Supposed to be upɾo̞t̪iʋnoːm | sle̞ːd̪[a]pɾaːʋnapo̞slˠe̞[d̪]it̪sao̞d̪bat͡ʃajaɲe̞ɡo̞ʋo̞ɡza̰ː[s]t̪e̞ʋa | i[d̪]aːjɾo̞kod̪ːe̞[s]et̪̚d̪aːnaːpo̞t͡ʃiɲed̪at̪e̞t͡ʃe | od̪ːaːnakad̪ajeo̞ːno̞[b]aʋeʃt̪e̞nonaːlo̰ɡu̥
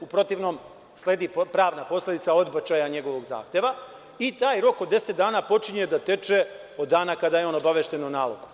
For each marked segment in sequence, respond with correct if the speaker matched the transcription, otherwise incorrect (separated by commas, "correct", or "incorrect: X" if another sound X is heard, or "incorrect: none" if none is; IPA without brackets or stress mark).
incorrect: i, correct, incorrect: x, incorrect: t̪, correct, correct